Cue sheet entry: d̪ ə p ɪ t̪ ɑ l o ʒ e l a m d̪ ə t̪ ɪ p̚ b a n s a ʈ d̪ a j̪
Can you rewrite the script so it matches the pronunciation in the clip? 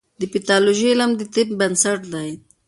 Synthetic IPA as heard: d̪ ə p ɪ t̪ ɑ l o ʒ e l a m d̪ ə t̪ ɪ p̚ b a n s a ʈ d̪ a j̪